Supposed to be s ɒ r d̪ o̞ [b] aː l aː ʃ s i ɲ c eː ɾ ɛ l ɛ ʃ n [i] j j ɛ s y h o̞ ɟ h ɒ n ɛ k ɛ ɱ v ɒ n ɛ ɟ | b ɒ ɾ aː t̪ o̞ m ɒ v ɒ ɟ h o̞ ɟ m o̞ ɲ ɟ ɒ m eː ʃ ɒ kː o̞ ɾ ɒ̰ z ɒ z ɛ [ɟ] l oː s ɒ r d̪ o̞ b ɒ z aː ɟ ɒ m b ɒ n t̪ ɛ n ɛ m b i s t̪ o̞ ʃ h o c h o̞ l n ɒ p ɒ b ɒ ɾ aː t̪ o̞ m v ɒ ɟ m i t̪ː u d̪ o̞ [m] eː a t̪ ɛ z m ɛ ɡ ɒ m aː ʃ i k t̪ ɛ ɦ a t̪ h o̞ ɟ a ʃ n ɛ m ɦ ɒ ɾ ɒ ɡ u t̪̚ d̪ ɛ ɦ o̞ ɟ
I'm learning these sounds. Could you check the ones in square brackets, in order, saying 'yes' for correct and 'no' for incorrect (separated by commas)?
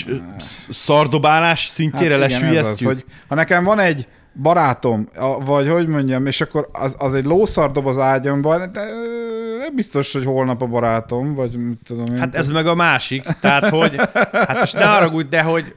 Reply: yes, no, yes, yes